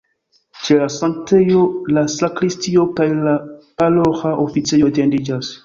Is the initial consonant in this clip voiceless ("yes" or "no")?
yes